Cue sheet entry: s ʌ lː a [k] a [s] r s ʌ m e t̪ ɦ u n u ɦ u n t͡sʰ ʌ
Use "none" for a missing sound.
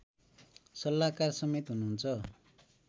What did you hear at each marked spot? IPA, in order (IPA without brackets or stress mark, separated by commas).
k, none